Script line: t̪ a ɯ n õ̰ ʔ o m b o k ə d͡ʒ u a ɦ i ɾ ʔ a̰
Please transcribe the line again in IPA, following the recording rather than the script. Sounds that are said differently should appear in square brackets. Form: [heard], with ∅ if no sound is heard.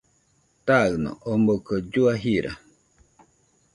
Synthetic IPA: t̪ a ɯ n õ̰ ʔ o m b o k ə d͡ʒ u a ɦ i ɾ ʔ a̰